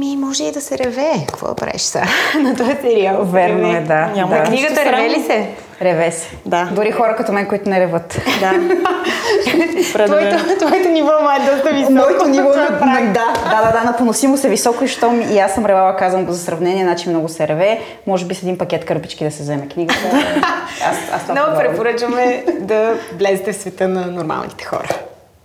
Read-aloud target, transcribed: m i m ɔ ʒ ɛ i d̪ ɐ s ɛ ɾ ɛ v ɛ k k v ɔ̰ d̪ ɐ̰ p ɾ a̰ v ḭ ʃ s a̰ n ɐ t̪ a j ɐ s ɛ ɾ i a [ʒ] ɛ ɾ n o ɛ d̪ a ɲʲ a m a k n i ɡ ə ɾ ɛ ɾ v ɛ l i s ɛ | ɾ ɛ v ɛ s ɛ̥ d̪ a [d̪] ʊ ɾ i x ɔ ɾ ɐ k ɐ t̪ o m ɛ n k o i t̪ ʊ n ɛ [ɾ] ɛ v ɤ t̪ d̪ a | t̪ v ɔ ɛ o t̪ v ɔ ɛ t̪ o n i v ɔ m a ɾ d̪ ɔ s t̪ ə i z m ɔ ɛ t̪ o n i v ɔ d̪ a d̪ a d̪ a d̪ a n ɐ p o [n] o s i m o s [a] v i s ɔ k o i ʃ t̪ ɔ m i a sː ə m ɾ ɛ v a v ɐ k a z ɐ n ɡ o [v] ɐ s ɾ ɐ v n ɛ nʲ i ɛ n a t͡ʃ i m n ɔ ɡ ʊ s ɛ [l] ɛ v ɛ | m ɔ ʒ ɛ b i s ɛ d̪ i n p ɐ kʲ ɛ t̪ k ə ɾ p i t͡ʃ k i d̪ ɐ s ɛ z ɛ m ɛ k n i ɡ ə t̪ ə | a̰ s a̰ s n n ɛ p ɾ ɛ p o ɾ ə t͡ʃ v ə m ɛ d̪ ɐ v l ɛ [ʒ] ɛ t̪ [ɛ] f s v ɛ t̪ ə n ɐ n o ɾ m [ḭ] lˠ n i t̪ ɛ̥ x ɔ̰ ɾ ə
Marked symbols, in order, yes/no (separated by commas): no, yes, yes, yes, no, no, no, no, yes, no